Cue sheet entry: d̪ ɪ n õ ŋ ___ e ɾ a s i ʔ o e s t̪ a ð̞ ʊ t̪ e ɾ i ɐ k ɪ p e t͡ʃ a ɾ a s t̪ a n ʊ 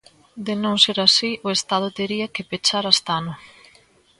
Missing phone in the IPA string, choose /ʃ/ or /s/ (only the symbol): s